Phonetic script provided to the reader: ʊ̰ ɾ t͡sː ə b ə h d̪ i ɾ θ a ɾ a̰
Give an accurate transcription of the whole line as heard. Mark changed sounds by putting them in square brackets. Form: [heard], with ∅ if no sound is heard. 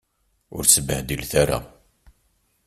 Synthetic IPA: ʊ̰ ɾ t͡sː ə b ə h d̪ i [l] θ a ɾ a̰